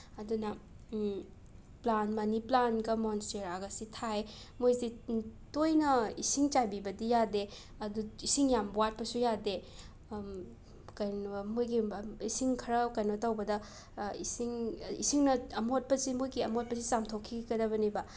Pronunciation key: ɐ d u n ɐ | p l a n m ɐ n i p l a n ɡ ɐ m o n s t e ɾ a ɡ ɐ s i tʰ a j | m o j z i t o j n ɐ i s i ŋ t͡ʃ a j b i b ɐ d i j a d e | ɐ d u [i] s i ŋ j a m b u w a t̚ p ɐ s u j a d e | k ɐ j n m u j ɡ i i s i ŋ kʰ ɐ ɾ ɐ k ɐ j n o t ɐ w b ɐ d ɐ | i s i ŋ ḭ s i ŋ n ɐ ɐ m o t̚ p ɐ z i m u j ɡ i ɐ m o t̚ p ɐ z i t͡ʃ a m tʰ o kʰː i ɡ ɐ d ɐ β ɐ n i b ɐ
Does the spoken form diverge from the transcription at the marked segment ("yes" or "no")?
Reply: no